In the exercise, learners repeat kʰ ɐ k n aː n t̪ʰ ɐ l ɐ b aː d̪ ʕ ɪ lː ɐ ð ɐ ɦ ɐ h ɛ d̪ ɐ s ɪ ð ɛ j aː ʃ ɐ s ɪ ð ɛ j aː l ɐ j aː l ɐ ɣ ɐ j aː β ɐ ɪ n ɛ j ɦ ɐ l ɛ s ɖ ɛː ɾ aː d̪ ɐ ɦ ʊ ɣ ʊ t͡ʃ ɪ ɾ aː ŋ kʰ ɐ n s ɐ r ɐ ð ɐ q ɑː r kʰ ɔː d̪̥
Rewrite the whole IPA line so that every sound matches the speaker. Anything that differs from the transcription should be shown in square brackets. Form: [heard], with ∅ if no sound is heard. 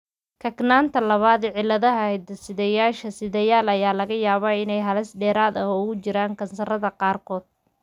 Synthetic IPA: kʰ ɐ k n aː n t̪ʰ ɐ l ɐ [β] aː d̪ ʕ ɪ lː ɐ ð ɐ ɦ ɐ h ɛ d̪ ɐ s ɪ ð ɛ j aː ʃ ɐ s ɪ ð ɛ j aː l ɐ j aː l ɐ ɣ ɐ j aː β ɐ ɪ n ɛ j ɦ ɐ l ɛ s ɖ ɛː ɾ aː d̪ ɐ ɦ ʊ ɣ ʊ t͡ʃ ɪ ɾ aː ŋ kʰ ɐ n s ɐ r ɐ ð ɐ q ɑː r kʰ ɔː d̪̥

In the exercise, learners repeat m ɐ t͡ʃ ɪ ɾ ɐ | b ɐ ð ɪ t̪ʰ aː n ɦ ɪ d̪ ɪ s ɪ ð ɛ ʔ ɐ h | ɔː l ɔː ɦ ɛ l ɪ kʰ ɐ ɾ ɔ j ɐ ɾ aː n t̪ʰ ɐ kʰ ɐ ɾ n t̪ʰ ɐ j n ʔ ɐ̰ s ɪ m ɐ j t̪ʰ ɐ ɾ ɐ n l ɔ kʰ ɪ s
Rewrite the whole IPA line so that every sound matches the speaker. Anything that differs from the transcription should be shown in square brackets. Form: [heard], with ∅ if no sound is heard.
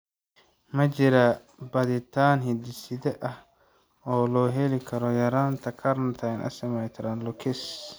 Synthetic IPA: m ɐ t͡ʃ ɪ ɾ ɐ | b ɐ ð ɪ t̪ʰ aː n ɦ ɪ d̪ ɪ s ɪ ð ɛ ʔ ɐ h | ɔː l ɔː ɦ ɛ l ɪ kʰ ɐ ɾ ɔ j ɐ ɾ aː n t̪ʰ ɐ kʰ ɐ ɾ n t̪ʰ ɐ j n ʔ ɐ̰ s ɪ m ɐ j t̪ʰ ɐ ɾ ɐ n l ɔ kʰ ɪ s

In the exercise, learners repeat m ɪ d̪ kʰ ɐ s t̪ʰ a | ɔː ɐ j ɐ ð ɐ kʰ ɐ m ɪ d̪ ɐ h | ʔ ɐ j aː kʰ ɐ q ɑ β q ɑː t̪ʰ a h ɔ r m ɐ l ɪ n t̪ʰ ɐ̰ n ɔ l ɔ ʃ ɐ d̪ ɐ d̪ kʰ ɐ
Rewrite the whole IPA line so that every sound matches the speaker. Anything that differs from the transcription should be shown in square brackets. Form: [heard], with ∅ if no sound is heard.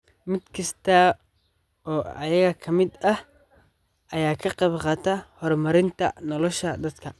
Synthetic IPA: m ɪ d̪ kʰ ɐ s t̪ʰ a | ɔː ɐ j ɐ [ɣ] ɐ kʰ ɐ m ɪ d̪ ɐ h | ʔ ɐ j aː kʰ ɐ q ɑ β q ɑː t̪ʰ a h ɔ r m ɐ [ɾ] ɪ n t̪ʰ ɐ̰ n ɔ l ɔ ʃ ɐ d̪ ɐ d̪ kʰ ɐ

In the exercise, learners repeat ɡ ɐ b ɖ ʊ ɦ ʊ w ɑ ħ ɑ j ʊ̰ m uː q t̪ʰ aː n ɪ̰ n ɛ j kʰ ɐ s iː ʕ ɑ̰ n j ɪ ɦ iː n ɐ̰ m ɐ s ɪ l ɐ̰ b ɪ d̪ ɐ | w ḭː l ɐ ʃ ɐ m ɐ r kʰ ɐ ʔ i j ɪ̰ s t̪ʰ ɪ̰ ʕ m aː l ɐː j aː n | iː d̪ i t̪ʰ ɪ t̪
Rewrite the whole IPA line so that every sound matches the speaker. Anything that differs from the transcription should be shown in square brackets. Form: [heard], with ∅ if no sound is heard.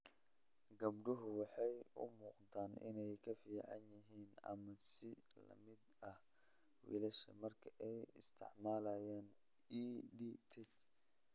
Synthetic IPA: ɡ ɐ b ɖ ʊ ɦ ʊ w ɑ ħ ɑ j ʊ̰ m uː q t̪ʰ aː n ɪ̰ n ɛ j kʰ ɐ [f] iː ʕ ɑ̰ n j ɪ ɦ iː n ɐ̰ m ɐ s ɪ l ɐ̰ [m] ɪ d̪ ɐ | w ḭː l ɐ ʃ ɐ m ɐ r kʰ ɐ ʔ [ɛ] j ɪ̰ s t̪ʰ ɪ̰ ʕ m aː l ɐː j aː n | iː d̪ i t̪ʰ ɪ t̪

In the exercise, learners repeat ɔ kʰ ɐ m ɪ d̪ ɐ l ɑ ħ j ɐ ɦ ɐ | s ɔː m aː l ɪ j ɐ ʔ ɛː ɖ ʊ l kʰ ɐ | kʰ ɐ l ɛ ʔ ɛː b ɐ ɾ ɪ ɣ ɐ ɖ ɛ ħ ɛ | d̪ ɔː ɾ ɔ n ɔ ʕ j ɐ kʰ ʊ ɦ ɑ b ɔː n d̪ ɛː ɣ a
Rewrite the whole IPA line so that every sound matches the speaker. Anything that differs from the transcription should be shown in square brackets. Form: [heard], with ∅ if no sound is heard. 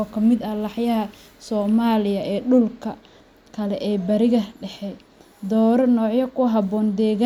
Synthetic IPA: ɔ kʰ ɐ m ɪ d̪ ɐ l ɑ ħ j ɐ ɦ ɐ | s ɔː m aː l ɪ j ɐ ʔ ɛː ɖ ʊ l kʰ ɐ | kʰ ɐ l ɛ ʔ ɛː b ɐ ɾ ɪ ɣ ɐ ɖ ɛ ħ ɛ | d̪ ɔː ɾ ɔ n [ɔː] ʕ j ɐ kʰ ʊ ɦ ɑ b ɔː n d̪ ɛː ɣ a

